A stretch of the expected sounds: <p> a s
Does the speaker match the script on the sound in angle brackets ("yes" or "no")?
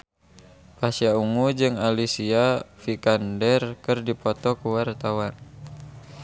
yes